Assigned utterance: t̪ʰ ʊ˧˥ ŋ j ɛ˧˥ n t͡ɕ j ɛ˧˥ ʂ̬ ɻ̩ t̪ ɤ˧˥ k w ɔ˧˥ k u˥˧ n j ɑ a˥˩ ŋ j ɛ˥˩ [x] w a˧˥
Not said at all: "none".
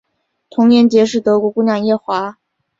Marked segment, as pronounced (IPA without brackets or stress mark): x